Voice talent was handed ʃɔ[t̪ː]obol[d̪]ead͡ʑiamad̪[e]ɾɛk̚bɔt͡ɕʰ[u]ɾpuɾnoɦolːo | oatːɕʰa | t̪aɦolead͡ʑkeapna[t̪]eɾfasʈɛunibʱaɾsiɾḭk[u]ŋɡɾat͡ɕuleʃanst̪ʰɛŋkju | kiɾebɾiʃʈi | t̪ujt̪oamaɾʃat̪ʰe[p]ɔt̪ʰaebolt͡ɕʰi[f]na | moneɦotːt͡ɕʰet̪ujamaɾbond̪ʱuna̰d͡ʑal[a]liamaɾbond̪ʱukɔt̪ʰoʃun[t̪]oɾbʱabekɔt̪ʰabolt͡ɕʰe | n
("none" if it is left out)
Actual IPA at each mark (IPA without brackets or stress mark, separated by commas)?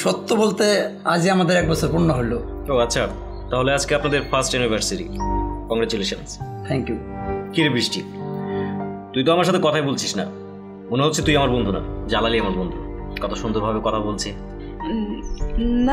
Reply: t̪ː, t̪, e, o, d̪, ɔ, k, ʃ, a, d̪